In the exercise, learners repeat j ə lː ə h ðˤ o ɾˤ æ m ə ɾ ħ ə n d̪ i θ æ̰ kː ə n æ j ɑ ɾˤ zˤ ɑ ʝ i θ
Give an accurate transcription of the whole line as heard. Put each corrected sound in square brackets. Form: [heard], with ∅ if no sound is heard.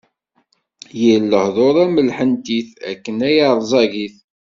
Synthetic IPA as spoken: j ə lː ə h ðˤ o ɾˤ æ m ə [l] ħ ə n [t̪] i θ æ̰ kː ə n æ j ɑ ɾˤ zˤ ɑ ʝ i θ